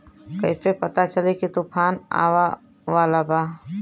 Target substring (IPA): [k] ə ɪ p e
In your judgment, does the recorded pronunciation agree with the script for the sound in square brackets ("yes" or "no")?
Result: yes